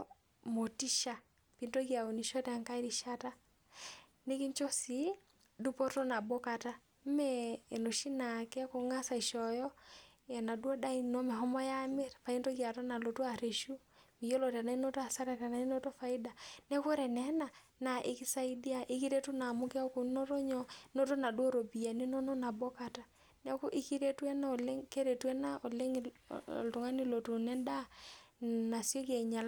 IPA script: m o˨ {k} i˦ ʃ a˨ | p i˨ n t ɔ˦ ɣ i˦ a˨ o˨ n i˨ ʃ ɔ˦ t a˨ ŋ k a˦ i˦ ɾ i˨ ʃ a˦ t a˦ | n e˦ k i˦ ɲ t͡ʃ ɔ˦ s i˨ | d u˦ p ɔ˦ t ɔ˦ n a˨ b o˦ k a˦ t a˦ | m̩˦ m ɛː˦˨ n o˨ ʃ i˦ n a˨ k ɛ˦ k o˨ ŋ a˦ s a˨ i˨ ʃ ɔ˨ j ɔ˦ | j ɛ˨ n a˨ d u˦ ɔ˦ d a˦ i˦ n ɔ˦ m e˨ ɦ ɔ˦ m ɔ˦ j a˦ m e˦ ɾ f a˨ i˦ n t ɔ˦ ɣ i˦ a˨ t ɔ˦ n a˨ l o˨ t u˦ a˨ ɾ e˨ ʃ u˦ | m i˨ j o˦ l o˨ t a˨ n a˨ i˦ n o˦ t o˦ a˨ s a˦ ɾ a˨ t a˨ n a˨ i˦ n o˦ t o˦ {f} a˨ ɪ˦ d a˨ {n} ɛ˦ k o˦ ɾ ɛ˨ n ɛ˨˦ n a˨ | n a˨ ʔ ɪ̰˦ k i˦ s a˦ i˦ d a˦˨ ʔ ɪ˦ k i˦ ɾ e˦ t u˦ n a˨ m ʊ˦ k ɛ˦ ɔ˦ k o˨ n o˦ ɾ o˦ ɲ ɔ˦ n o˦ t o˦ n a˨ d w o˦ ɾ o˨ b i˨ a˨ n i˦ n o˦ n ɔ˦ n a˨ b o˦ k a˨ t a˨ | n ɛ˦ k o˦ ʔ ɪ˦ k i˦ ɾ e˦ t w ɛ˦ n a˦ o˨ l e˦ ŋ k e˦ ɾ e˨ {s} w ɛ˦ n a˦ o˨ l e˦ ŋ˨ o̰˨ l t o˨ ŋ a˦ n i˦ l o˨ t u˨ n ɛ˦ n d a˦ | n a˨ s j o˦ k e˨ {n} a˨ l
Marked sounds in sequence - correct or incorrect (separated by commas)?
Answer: incorrect, correct, correct, incorrect, incorrect